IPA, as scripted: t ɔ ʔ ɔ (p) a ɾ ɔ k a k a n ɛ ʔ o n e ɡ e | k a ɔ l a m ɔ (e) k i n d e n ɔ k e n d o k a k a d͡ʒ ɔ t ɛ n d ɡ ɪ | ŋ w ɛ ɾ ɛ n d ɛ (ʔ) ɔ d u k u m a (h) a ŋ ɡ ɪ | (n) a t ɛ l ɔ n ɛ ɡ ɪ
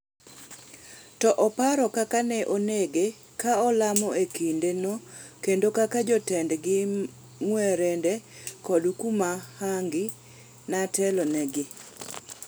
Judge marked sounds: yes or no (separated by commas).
yes, yes, no, yes, yes